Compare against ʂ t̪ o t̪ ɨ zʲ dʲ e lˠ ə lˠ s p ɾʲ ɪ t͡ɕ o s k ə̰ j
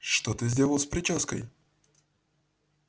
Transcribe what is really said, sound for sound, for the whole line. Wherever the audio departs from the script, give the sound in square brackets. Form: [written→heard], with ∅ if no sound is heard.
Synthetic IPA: ʂ t̪ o t̪ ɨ zʲ dʲ e lˠ ə lˠ s p ɾʲ ɪ t͡ɕ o s k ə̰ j